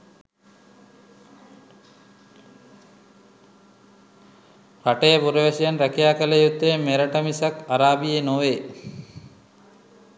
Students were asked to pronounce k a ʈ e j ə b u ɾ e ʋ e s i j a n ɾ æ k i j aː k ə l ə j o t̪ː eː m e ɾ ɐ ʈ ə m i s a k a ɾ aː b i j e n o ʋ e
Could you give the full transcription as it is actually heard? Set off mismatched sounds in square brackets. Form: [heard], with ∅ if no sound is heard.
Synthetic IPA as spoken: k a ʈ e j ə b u ɾ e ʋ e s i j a n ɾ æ k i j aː k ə l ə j [u] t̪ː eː m e ɾ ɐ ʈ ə m i s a k a ɾ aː b i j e n o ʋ e